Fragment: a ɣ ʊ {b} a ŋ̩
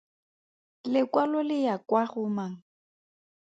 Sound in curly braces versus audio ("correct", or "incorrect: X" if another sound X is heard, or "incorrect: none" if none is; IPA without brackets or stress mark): incorrect: m